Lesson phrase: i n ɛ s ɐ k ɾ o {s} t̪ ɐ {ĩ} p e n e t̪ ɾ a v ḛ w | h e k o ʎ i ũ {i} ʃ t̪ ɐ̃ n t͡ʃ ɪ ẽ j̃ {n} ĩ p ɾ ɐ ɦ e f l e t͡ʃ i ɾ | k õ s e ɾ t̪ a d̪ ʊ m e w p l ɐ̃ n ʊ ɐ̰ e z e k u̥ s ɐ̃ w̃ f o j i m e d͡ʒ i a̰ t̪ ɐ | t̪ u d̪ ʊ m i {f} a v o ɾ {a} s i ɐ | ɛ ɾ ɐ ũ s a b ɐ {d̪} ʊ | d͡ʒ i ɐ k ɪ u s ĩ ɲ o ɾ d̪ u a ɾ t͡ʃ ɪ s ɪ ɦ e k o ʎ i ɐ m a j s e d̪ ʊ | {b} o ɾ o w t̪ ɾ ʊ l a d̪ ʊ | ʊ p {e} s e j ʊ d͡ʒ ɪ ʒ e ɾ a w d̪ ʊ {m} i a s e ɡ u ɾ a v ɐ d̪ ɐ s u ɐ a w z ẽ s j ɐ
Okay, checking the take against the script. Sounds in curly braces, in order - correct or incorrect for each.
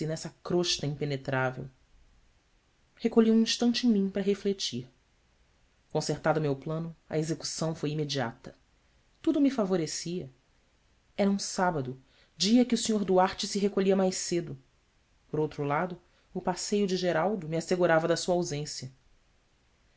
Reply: incorrect: ʃ, correct, incorrect: ĩ, incorrect: m, correct, incorrect: e, correct, incorrect: p, incorrect: a, correct

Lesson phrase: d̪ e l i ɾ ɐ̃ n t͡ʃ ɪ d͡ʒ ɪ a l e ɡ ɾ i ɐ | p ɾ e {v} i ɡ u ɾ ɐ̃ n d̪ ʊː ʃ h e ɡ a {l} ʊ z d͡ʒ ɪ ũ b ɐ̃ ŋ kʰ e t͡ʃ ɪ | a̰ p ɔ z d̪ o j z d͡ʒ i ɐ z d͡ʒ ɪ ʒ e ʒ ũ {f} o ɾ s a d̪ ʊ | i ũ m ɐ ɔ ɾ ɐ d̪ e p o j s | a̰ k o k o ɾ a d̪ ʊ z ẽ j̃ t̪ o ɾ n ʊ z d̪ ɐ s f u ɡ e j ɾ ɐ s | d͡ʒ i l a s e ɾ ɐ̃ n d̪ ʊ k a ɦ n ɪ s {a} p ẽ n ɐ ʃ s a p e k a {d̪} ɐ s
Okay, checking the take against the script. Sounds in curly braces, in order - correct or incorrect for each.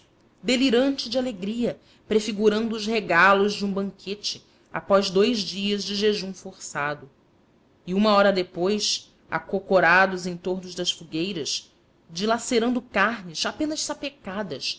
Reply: incorrect: f, correct, correct, correct, correct

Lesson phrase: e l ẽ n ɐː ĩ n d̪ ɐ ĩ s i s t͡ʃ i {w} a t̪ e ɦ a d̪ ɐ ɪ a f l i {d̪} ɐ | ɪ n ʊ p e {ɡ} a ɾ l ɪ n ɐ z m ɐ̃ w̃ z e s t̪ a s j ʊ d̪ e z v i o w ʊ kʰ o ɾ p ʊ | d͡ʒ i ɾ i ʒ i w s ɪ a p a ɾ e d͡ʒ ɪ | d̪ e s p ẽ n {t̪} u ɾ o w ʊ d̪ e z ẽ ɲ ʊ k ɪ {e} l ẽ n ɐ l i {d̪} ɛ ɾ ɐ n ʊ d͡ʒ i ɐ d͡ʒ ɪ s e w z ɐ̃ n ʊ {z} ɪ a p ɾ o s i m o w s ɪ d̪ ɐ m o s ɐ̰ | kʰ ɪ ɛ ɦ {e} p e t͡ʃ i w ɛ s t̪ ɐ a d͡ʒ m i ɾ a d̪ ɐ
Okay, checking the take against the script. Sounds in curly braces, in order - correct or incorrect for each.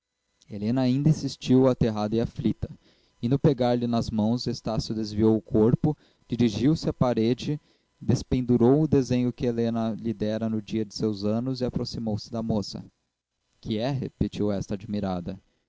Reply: correct, incorrect: t̪, correct, incorrect: d̪, correct, correct, correct, correct

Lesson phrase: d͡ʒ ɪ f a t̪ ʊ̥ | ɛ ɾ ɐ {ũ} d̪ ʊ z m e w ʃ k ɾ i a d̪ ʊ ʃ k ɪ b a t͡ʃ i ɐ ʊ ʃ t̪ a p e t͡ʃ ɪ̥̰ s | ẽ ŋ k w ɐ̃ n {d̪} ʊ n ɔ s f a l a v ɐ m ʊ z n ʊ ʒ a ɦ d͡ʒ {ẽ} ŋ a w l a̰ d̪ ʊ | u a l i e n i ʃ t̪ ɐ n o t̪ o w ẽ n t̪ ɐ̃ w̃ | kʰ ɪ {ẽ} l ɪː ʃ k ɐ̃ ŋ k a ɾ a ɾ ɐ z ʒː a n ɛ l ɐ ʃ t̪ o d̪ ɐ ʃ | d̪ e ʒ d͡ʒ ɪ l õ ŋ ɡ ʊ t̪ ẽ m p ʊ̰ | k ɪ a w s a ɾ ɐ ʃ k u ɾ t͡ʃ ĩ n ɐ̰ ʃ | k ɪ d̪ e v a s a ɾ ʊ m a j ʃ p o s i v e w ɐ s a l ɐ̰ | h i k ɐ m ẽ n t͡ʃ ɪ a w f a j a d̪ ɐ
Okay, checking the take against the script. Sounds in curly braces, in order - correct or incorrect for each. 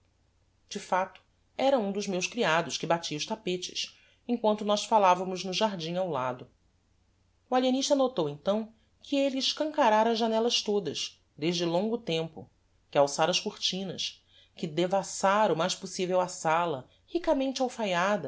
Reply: correct, incorrect: t̪, incorrect: ĩ, incorrect: e

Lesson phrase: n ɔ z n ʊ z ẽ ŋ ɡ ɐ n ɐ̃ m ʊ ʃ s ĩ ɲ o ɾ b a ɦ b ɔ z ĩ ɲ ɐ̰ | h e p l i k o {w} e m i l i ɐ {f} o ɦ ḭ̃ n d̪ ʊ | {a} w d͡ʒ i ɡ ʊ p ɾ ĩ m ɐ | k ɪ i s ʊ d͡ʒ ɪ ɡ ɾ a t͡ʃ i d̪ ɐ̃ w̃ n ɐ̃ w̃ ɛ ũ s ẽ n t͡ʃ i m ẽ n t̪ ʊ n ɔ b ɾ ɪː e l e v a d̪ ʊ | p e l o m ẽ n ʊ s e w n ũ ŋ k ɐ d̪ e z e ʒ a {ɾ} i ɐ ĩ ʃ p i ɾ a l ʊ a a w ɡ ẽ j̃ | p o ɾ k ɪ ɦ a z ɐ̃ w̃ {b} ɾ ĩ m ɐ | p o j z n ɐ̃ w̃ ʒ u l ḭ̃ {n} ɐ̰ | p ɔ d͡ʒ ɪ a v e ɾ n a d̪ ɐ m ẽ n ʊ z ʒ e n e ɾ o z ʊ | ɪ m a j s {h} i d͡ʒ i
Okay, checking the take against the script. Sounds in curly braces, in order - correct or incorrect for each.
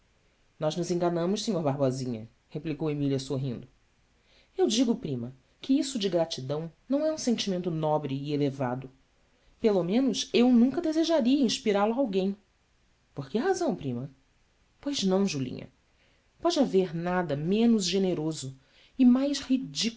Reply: correct, incorrect: s, incorrect: e, correct, incorrect: p, incorrect: ɲ, correct

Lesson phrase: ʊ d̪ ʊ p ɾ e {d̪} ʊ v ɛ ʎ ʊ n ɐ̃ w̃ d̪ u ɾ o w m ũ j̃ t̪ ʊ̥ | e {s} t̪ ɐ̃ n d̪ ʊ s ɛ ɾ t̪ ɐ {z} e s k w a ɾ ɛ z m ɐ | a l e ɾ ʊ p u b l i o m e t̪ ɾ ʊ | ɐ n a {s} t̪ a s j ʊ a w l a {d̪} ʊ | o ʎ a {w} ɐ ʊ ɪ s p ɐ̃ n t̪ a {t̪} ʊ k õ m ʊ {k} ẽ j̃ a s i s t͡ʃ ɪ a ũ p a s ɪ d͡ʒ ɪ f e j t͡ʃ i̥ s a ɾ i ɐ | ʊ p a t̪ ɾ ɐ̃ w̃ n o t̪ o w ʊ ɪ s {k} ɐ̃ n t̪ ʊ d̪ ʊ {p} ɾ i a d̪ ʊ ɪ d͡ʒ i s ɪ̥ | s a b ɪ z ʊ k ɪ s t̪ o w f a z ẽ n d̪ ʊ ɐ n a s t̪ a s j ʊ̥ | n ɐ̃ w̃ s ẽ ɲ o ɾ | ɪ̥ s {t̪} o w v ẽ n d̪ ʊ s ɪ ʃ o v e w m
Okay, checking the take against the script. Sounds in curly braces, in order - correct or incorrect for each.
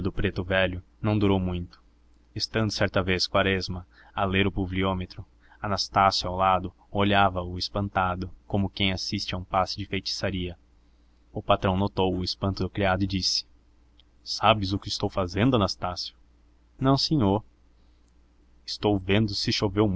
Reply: incorrect: t̪, correct, incorrect: v, correct, correct, incorrect: v, incorrect: d̪, correct, incorrect: p, incorrect: k, correct

